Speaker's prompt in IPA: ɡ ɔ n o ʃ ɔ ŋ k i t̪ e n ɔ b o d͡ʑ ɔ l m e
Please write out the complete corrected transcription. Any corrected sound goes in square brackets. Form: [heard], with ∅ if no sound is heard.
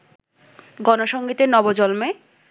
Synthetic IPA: ɡ ɔ n o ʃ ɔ ŋ [ɡ] i t̪ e n ɔ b o d͡ʑ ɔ l m e

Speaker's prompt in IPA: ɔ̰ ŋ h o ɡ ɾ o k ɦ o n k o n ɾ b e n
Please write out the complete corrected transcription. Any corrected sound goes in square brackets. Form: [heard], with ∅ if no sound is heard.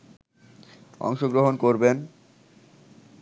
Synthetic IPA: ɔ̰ ŋ [ʃ] o ɡ ɾ o [∅] ɦ o n k o [∅] ɾ b e n

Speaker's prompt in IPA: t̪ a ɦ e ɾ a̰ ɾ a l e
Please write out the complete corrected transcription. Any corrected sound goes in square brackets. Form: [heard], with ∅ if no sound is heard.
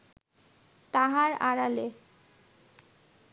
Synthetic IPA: t̪ a ɦ [a] ɾ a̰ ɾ a l e

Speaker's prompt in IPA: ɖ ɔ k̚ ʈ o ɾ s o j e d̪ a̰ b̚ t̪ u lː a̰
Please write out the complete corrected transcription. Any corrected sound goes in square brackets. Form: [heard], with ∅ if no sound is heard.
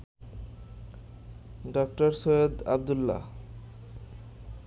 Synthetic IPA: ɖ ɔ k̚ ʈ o ɾ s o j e d̪ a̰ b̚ [d̪] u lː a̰

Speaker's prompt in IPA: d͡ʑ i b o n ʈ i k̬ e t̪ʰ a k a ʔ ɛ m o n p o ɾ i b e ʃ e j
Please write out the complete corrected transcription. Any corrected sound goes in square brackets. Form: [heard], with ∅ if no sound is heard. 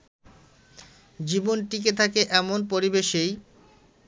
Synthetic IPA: d͡ʑ i b o n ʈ i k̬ e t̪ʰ a k [e] ʔ ɛ m o n p o ɾ i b e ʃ e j

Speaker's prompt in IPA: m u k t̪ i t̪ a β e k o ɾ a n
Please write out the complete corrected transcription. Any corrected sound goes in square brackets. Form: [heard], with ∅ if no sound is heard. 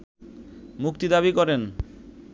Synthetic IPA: m u k t̪ i [d̪] a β [i] k [ɔ] ɾ [e] n

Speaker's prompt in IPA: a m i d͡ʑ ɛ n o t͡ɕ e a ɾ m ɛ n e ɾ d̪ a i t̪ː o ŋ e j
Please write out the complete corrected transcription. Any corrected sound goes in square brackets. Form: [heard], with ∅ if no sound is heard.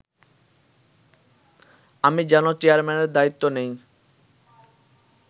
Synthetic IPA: a m i d͡ʑ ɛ n o t͡ɕ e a ɾ m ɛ n e ɾ d̪ a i t̪ː o [n] e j

